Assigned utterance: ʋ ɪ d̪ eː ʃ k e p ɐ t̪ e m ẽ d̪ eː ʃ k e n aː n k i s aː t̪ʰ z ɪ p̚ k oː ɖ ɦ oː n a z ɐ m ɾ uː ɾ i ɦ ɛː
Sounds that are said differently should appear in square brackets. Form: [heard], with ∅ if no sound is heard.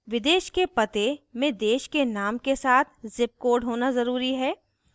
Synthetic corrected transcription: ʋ ɪ d̪ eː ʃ k e p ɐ t̪ e m ẽ d̪ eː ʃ k e n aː [m] k [e] s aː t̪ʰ z ɪ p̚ k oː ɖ ɦ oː n a z ɐ [∅] ɾ uː ɾ i ɦ ɛː